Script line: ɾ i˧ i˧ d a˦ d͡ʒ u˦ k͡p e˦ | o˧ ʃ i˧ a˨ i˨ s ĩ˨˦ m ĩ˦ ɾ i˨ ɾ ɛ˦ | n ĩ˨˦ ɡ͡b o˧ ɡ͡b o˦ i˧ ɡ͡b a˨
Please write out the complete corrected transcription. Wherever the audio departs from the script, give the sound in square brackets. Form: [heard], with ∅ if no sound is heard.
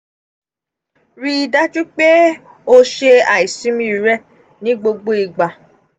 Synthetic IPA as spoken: ɾ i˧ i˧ d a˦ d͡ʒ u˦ k͡p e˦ | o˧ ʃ [e˧] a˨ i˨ s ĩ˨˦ m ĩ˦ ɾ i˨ ɾ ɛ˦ | n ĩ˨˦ ɡ͡b o˧ ɡ͡b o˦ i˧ ɡ͡b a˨